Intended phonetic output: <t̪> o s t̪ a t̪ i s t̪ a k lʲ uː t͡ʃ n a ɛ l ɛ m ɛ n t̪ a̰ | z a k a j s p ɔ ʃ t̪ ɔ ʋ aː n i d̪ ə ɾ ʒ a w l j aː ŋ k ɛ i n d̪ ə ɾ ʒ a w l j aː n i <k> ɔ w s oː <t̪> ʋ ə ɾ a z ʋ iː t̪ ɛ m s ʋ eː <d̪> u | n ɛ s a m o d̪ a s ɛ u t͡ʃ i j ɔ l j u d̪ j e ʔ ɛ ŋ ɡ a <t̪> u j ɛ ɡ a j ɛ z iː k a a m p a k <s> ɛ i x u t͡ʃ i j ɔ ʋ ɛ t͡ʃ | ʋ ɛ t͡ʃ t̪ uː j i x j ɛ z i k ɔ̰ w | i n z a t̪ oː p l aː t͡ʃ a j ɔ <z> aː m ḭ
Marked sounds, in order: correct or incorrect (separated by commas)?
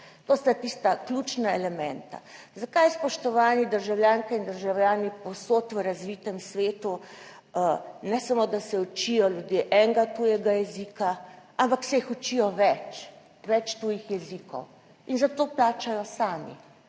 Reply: correct, incorrect, correct, incorrect, correct, correct, incorrect